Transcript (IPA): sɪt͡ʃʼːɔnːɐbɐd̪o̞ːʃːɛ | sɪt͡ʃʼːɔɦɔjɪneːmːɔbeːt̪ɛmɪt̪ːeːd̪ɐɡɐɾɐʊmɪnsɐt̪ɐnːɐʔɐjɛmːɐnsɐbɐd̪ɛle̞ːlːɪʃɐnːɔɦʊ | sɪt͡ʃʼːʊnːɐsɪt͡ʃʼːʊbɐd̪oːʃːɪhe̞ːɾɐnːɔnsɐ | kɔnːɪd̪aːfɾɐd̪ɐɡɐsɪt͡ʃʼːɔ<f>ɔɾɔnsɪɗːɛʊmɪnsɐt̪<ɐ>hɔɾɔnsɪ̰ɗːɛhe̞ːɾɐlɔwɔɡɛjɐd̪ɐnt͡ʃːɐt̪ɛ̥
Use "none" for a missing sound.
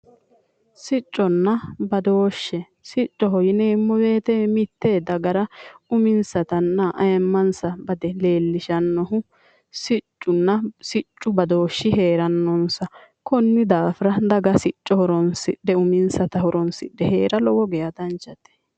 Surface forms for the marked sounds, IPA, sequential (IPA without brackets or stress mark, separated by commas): h, ɐ